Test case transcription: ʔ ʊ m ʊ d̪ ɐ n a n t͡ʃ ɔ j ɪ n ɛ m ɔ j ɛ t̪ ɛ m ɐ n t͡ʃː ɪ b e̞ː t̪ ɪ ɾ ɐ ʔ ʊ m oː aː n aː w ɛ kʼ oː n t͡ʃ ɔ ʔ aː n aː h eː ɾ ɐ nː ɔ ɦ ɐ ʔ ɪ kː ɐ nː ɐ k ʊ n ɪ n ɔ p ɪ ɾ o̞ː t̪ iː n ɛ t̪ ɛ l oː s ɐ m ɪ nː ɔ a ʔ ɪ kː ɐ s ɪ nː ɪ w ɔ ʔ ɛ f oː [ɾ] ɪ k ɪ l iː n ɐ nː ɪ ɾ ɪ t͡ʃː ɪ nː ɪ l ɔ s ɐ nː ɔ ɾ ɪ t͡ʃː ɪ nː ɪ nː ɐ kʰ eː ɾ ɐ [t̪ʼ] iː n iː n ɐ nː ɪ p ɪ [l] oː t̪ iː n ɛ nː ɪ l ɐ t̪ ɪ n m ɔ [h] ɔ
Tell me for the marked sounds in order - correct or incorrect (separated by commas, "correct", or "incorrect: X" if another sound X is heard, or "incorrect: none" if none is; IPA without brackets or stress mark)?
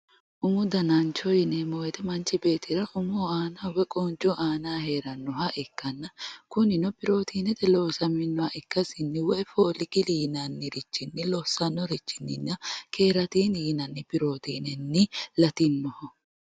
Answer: incorrect: l, incorrect: t̪, incorrect: ɾ, correct